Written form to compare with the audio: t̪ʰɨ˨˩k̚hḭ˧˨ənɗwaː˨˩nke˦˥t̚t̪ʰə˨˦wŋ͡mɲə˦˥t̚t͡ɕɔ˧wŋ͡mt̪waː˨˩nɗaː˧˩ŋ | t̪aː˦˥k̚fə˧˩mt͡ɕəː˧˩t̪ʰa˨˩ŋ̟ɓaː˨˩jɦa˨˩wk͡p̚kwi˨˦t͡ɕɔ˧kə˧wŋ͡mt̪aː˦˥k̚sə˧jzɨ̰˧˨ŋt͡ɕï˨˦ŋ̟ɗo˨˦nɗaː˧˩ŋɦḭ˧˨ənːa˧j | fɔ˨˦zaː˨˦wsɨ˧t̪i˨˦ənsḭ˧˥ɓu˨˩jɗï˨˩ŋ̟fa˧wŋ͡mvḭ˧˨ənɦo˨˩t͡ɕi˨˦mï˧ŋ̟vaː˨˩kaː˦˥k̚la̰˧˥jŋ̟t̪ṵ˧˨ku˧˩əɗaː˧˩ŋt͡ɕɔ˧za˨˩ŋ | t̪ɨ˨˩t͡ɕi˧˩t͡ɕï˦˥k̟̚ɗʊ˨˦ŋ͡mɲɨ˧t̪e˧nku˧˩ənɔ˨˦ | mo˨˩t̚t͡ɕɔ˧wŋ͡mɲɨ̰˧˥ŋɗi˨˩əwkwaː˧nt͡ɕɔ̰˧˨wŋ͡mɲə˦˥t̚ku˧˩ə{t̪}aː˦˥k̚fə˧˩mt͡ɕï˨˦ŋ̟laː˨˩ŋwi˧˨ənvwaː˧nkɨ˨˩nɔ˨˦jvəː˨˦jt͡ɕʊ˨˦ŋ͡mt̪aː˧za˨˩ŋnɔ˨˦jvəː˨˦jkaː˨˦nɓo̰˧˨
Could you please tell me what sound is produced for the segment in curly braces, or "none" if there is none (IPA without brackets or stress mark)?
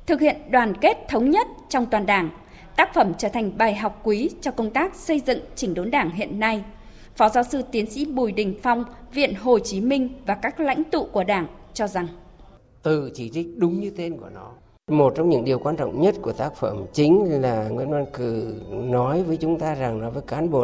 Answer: t̪